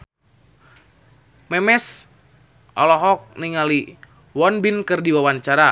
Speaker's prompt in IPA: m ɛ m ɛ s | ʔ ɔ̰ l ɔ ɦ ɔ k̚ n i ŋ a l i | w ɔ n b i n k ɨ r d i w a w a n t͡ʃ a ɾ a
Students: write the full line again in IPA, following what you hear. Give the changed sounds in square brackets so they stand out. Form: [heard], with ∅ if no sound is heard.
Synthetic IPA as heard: m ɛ m ɛ s | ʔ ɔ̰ l ɔ ɦ ɔ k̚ n i ŋ a l i | w ɔ n b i n k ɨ r d i w a w a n t͡ʃ a ɾ a